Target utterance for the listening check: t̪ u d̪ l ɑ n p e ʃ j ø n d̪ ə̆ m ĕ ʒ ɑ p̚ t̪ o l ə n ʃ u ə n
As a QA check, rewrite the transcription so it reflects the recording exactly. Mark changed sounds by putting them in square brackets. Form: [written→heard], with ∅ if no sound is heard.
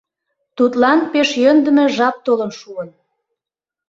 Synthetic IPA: t̪ u [d̪→t̪] l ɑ n p e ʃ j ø n d̪ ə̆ m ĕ ʒ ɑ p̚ t̪ o l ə n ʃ u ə n